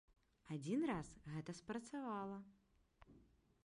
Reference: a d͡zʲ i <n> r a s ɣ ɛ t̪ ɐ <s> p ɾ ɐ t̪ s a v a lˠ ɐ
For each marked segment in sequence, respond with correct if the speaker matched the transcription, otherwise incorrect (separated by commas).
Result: correct, correct